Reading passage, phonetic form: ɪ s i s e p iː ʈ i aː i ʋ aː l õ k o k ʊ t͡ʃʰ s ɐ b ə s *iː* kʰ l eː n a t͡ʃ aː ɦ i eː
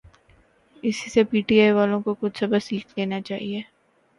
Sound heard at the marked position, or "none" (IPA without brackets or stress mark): iː